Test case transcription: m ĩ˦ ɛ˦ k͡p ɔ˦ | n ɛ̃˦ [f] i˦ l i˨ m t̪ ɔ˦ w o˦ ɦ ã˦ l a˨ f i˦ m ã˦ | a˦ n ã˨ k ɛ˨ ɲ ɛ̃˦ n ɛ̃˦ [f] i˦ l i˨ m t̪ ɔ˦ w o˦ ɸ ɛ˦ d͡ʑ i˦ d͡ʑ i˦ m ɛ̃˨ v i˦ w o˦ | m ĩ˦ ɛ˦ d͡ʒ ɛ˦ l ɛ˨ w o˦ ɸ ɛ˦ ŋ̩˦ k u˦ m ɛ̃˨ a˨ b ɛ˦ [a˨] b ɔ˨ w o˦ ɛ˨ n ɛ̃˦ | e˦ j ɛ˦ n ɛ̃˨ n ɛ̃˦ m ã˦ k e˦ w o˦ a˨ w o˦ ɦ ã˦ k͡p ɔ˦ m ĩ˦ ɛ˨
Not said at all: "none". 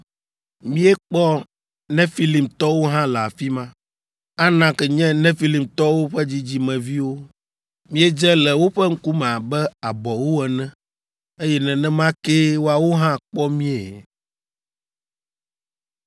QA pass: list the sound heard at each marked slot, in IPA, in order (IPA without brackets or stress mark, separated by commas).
f, f, a˨